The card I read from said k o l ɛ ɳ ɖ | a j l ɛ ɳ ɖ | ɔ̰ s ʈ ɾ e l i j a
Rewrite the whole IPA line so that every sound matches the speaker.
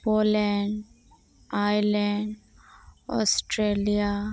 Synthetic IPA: p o l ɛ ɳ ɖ | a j l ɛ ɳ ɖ | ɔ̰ s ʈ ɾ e l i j a